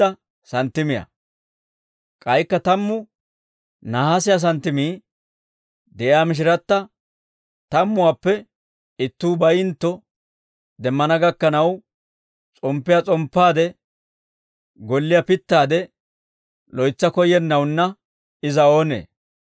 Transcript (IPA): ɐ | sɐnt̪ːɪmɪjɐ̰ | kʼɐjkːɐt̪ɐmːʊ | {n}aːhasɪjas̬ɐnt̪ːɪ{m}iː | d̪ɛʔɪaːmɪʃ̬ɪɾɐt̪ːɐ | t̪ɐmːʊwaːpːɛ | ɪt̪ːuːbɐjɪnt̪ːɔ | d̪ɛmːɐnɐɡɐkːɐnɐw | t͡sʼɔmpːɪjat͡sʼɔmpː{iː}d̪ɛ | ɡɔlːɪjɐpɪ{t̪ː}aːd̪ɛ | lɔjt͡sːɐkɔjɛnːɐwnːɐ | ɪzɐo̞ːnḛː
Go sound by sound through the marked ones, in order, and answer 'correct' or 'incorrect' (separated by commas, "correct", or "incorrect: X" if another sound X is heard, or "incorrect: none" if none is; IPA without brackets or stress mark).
correct, correct, incorrect: aː, correct